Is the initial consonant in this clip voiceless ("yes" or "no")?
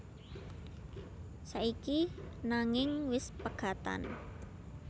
yes